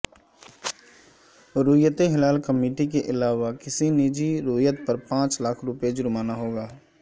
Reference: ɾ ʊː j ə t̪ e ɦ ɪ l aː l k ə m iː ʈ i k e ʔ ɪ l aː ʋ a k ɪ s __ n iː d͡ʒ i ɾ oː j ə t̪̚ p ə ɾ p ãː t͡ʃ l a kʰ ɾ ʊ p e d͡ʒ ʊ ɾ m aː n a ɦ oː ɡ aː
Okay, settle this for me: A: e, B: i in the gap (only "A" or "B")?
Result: B